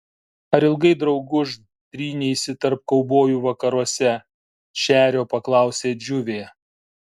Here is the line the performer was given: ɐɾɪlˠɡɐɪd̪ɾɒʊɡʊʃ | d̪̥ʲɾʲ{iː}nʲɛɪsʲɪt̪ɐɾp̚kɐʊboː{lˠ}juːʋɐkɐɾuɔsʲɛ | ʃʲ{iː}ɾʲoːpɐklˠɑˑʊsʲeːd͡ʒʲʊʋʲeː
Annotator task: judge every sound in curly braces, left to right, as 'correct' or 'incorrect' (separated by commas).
correct, incorrect, incorrect